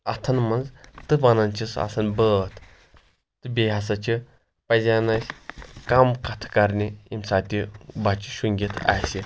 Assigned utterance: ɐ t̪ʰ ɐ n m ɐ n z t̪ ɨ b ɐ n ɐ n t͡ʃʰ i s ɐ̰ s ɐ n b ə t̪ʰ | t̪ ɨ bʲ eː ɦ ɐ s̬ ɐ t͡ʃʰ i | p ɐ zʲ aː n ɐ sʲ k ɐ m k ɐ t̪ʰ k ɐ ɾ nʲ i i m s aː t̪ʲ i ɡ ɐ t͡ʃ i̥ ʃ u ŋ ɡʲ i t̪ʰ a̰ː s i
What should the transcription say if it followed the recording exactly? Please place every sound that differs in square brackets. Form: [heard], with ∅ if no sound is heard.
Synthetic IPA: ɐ t̪ʰ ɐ n m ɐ n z t̪ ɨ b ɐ n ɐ n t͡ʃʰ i s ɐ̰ s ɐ n b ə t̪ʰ | t̪ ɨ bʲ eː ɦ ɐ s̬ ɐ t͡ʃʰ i | p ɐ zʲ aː n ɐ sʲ k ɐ m k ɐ t̪ʰ k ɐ ɾ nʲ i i m s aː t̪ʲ i [b] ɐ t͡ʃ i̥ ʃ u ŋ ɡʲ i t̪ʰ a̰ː s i